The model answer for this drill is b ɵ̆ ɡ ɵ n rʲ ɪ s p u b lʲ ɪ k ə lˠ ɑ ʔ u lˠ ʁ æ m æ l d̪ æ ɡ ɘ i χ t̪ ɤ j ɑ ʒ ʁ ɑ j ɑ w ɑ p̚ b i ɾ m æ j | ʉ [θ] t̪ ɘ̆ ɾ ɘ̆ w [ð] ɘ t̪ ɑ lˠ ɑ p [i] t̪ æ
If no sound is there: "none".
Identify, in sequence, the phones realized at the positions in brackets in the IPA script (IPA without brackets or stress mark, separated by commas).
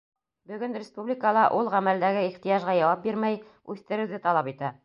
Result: θ, ð, i